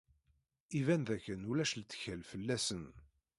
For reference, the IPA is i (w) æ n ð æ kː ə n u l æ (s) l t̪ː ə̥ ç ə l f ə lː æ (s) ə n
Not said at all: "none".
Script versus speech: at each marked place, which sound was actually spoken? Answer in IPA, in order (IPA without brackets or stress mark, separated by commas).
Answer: v, ʃ, s